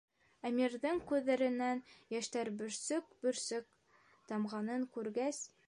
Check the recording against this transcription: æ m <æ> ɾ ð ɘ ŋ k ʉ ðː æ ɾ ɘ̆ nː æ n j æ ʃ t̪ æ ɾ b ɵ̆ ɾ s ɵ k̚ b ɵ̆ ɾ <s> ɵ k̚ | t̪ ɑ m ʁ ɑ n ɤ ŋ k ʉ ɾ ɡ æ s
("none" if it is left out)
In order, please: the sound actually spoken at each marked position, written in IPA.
i, s

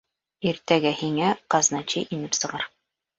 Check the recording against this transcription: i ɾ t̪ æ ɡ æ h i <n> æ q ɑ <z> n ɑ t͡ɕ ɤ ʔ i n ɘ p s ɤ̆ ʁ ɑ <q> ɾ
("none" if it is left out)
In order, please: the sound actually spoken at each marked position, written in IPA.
ŋ, z, none

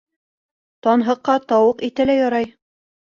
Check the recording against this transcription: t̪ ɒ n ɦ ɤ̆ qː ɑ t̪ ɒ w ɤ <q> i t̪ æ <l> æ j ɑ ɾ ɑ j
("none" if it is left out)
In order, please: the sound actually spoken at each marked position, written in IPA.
q, l

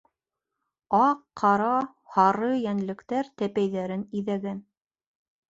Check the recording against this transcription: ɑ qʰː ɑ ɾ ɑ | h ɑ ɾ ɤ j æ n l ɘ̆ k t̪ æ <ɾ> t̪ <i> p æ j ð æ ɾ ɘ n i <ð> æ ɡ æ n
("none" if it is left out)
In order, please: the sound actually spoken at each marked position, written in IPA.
ɾ, æ, ð

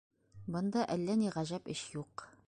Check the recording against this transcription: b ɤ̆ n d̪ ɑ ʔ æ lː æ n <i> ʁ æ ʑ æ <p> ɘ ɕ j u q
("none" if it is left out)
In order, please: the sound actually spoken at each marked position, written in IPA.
i, p

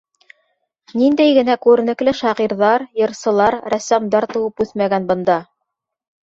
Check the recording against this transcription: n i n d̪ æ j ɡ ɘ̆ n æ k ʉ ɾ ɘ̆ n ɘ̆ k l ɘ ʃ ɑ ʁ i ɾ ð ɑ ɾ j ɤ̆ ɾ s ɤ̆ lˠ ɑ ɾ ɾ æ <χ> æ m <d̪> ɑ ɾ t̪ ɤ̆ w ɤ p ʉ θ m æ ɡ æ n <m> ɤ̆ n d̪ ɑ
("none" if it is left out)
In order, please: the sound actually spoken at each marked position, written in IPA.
s, d̪, b

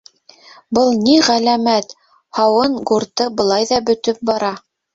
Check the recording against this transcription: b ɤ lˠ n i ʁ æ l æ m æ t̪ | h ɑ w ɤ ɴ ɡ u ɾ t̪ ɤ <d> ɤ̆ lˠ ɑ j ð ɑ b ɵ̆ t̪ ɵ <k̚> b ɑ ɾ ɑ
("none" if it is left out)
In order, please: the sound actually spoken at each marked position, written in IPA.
b, p̚

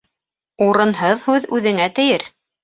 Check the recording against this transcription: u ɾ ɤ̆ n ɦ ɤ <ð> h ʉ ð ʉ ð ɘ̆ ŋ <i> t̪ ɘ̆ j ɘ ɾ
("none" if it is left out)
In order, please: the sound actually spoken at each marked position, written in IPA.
ð, æ

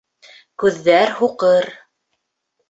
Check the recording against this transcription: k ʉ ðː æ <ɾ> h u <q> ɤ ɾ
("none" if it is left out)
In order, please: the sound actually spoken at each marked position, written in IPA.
ɾ, q

